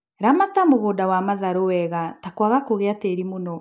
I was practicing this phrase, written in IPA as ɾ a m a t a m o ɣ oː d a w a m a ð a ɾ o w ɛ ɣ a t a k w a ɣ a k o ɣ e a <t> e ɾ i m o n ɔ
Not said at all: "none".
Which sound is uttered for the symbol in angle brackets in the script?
t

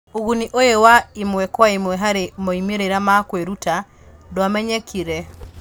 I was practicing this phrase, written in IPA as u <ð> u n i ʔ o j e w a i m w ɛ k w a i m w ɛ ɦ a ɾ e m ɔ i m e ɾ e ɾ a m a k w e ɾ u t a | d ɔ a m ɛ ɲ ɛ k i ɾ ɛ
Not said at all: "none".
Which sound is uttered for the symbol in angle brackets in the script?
ɣ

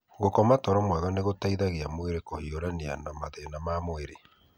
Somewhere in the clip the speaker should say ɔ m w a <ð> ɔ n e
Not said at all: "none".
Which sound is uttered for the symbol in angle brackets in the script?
ð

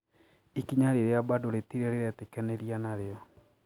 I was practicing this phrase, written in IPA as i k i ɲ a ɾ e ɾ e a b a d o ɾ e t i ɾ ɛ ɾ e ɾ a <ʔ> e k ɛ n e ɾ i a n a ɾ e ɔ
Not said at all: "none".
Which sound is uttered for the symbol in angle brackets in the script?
t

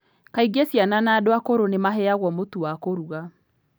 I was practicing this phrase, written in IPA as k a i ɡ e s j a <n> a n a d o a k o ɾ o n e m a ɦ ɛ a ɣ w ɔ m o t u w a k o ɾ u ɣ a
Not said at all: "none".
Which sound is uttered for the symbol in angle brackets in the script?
n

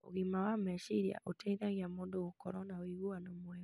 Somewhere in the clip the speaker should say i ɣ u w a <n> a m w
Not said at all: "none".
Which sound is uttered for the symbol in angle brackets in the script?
n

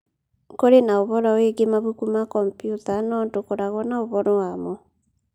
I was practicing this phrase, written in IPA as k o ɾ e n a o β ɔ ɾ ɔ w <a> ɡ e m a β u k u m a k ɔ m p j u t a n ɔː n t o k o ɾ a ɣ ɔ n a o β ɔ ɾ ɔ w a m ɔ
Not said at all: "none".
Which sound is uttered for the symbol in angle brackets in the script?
e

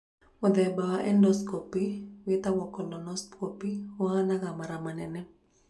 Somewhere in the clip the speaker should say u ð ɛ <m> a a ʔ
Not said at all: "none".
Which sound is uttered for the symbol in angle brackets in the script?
b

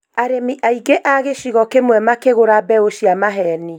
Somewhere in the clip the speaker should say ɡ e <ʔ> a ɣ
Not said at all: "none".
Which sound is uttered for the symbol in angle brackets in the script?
ʔ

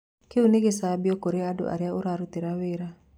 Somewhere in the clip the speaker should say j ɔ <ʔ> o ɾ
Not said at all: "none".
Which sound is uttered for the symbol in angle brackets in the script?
k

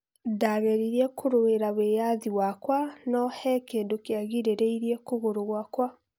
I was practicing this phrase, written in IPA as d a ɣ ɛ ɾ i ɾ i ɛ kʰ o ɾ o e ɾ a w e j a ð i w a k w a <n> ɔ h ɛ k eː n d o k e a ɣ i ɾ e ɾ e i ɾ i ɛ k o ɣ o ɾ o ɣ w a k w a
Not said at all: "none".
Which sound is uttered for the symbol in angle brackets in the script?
n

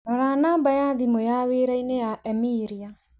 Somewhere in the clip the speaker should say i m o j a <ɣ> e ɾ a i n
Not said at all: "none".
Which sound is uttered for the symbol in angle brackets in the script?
w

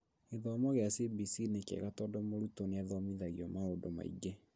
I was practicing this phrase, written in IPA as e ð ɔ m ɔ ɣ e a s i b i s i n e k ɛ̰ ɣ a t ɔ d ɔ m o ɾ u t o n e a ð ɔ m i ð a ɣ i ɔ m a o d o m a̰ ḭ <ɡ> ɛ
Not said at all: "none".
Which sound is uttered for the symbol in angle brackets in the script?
ɡ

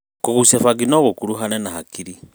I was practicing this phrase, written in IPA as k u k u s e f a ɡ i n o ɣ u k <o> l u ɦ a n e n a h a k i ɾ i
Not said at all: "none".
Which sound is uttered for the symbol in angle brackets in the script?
u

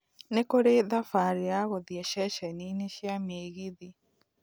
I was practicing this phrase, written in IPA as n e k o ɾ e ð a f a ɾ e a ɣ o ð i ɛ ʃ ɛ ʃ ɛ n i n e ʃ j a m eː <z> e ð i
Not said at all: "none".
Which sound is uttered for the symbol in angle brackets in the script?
ɣ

